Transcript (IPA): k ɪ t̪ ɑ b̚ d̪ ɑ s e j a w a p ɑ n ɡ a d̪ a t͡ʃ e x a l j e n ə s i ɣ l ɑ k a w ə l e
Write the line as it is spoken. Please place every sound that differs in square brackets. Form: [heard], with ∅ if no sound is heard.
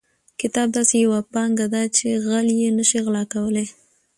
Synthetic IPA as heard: k ɪ t̪ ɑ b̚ d̪ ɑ s e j a w a p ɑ [ŋ] ɡ a d̪ a t͡ʃ e [ɣ] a l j e n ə [ʃ] i ɣ l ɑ k a w ə l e